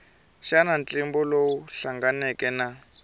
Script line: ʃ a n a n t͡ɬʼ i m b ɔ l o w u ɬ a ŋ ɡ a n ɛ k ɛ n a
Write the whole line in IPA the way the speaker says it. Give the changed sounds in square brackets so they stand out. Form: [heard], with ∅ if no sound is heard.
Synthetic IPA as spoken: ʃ a n a n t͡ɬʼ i m b ɔ l o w u ɬ a ŋ ɡ a n ɛ k ɛ n a